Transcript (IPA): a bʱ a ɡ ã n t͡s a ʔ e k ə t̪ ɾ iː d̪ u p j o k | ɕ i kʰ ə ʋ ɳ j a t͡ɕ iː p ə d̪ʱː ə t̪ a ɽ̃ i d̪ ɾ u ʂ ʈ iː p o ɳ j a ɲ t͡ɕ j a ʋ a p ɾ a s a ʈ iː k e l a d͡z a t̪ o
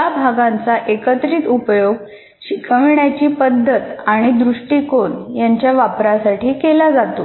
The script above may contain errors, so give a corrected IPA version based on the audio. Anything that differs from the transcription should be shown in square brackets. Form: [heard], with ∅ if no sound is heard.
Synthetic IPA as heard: a bʱ a ɡ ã n t͡s a ʔ e k ə t̪ ɾ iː [t̪] u p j o [ɡ] | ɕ i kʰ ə ʋ ɳ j a t͡ɕ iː p ə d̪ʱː ə t̪ a ɽ̃ i d̪ ɾ u ʂ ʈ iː [k] o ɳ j a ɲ t͡ɕ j a ʋ a p ɾ a s a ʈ iː k e l a d͡z a t̪ o